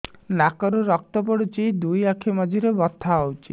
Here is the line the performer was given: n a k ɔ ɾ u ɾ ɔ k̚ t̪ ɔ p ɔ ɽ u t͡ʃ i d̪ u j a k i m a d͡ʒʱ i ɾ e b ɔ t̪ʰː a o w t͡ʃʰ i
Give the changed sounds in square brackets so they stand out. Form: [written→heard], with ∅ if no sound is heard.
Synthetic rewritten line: n a k ɔ ɾ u ɾ ɔ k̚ t̪ ɔ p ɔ ɽ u t͡ʃ i d̪ u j a [k→kʰ] i m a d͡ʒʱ i ɾ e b ɔ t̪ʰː a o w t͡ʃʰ i